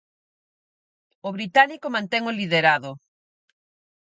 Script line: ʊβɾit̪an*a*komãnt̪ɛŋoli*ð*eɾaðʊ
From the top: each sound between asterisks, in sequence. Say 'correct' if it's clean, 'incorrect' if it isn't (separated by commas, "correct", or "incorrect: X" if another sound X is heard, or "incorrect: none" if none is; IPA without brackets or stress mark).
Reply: incorrect: i, correct